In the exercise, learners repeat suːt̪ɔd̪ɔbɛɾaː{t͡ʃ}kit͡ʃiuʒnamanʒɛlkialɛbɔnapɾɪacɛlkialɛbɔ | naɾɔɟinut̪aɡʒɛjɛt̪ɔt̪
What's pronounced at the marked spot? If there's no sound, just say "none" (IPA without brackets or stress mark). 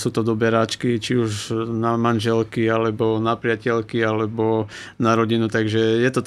t͡ʃ